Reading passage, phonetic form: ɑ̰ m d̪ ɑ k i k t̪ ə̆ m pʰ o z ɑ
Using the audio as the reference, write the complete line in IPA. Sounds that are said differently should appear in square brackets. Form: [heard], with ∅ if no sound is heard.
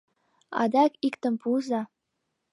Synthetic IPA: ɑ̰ [∅] d̪ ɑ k i k t̪ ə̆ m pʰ [u] z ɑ

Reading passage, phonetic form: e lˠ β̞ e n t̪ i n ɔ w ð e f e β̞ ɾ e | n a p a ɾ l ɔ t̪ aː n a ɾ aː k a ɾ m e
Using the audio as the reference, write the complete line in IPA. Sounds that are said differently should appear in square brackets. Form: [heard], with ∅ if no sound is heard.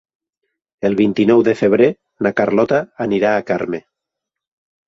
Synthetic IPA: e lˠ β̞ [i] n t̪ i n ɔ w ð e f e β̞ ɾ e | n a [k] a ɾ l ɔ t̪ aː n [i] ɾ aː k a ɾ m e

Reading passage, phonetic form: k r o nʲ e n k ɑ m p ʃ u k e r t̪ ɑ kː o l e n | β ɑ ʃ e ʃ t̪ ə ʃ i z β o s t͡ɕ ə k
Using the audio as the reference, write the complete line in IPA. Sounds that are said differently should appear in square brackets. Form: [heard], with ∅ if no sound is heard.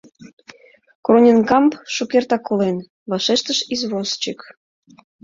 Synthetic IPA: k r o nʲ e n k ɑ m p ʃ u k e r t̪ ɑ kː o l e n | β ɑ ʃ e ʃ t̪ ə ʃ i z β o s t͡ɕ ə k

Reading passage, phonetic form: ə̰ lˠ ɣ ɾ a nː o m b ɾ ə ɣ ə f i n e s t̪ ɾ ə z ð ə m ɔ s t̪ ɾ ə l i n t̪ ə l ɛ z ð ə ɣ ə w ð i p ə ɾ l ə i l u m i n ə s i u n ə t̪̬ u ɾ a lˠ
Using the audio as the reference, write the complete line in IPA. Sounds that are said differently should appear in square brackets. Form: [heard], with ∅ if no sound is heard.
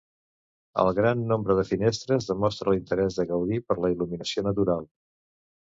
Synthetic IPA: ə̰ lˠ ɣ ɾ a nː o m b ɾ ə [ð] ə f i n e s t̪ ɾ ə z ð ə m ɔ s t̪ ɾ ə l i n t̪ ə [ɾ] ɛ z ð ə ɣ ə w ð i p ə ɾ l ə i l u m i n ə s i [o] n ə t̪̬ u ɾ a lˠ

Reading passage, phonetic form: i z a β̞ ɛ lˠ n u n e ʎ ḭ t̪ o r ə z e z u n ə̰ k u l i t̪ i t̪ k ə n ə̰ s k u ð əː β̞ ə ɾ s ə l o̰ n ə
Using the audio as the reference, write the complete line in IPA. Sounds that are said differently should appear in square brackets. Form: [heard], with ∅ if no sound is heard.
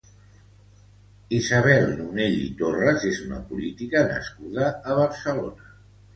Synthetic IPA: i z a β̞ ɛ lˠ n u n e ʎ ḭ t̪ o r ə z e z u n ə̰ [p] u l i t̪ i [∅] k ə n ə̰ s k u ð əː β̞ ə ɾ s ə l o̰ n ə

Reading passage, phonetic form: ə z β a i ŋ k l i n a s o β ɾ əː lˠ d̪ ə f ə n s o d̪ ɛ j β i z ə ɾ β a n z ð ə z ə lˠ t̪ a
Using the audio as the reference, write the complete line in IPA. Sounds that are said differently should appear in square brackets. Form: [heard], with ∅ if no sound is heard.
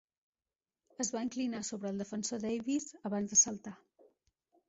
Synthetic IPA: ə z β a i ŋ k l i n a s o β ɾ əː lˠ d̪ ə f ə n s o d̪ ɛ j β i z ə [∅] β a n z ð ə [s] ə lˠ t̪ a

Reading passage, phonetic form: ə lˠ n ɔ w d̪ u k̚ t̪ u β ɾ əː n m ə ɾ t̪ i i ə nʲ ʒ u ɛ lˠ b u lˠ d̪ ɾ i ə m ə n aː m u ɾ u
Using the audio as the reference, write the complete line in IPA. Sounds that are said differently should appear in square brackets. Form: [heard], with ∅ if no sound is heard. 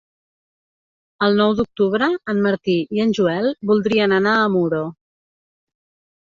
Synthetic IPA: ə lˠ n ɔ w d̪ u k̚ t̪ u β ɾ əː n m ə ɾ t̪ i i ə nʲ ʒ u ɛ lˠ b u lˠ d̪ ɾ i ə [n] ə n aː m u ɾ [o]

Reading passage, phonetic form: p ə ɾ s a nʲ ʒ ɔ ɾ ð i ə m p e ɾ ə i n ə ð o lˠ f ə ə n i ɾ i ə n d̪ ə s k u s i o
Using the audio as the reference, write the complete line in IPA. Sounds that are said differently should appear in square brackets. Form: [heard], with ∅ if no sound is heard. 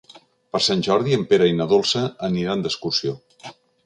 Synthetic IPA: p ə ɾ s a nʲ ʒ ɔ ɾ ð i ə m p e ɾ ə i n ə ð o lˠ [s] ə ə n i ɾ [a] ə n d̪ ə s k u s i o

